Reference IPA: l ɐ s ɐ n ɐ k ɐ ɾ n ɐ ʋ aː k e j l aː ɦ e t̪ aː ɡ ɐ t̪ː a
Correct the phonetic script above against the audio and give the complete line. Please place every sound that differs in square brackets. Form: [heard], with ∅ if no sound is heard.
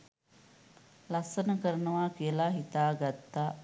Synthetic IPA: l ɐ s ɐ n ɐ k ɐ ɾ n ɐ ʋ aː k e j l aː ɦ [i] t̪ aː ɡ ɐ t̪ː a